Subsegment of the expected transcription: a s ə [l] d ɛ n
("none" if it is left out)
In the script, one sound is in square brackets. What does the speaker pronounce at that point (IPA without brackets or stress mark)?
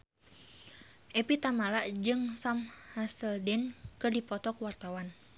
l